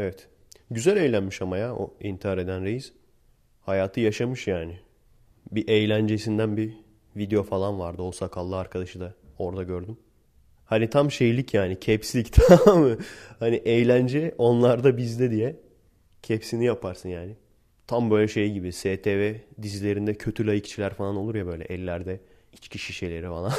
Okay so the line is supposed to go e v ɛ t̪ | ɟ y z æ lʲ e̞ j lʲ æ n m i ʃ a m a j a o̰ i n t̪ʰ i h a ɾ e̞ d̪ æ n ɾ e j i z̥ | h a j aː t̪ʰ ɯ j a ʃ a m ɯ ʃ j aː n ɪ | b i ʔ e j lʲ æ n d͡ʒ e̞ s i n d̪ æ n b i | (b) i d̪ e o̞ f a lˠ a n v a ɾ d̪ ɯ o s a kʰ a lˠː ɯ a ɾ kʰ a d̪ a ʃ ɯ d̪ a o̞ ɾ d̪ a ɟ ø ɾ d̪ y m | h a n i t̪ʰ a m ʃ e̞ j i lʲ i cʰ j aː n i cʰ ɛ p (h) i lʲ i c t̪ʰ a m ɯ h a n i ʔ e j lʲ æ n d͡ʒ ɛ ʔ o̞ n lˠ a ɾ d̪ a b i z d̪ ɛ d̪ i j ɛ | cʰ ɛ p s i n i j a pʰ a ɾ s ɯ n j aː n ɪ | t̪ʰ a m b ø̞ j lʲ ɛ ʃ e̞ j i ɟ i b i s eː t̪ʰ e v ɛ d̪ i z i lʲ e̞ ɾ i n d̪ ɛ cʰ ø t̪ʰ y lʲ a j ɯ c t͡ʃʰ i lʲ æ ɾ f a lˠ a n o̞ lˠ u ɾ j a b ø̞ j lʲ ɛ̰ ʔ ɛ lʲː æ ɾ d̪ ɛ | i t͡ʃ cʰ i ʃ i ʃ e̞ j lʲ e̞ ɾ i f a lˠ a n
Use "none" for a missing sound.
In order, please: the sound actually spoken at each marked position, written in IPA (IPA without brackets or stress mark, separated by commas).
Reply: v, s